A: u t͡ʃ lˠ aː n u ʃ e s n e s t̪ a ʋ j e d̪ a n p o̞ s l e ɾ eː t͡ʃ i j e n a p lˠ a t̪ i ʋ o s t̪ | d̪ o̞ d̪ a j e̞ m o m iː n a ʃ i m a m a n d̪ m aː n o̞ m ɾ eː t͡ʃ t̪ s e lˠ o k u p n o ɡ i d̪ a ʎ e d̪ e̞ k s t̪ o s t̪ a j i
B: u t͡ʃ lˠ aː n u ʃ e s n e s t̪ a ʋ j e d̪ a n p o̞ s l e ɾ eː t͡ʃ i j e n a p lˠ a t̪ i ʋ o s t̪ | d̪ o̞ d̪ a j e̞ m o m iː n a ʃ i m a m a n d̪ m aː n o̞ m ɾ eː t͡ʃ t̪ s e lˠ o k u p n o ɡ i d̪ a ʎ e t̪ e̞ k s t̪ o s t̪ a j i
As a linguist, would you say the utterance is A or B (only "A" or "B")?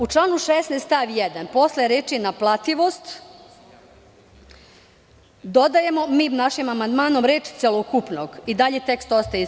B